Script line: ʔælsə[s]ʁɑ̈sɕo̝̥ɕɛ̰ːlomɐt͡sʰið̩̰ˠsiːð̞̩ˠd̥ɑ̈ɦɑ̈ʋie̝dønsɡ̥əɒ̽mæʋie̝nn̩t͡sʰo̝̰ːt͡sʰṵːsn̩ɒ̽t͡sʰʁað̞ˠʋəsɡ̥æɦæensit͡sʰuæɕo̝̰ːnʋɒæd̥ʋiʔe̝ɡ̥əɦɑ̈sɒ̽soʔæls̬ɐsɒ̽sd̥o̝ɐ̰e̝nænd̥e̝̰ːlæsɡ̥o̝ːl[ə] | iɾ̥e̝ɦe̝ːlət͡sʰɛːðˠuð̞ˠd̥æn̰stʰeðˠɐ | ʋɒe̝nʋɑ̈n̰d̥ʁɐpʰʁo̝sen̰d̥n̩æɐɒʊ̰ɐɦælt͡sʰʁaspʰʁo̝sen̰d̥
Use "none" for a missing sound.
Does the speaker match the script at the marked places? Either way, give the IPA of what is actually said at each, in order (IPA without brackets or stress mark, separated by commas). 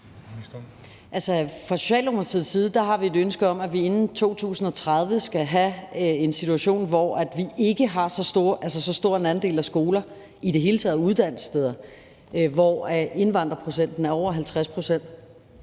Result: f, ɐ